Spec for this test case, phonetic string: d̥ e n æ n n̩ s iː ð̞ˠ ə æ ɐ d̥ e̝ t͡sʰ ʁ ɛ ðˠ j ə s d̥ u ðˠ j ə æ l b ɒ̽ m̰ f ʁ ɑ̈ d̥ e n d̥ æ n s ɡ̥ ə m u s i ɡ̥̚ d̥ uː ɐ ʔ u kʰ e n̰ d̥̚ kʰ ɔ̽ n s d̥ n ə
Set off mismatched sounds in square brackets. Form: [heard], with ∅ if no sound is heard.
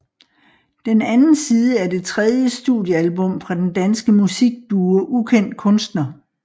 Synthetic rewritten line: d̥ e n æ n n̩ s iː ð̞ˠ ə æ ɐ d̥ e̝ t͡sʰ ʁ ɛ ðˠ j ə s d̥ u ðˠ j ə æ l b [ɔ̽] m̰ f ʁ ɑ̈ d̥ e n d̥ æ n s ɡ̥ ə m u s i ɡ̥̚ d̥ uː ɐ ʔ u kʰ e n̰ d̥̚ kʰ ɔ̽ n s d̥ n [ɐ]